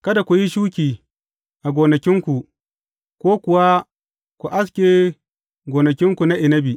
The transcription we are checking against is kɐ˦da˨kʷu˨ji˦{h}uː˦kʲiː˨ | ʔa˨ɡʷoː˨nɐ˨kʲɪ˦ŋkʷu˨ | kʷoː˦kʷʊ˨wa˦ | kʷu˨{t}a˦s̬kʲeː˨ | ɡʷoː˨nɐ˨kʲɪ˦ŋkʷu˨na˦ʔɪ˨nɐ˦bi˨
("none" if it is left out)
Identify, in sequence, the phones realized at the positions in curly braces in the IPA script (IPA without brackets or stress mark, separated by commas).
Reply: ʃ, ʔ